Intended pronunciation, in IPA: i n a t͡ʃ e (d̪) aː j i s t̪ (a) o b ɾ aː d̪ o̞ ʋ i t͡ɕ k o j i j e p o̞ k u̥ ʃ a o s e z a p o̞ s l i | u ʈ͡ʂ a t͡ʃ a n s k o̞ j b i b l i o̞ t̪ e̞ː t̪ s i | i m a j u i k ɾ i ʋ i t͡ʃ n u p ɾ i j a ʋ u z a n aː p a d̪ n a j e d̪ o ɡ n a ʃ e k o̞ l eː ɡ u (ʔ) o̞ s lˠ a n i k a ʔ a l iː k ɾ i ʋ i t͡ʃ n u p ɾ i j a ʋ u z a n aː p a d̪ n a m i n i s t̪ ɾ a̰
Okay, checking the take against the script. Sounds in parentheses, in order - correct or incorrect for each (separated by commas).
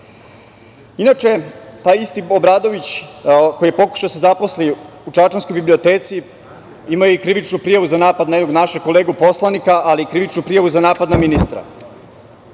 incorrect, incorrect, incorrect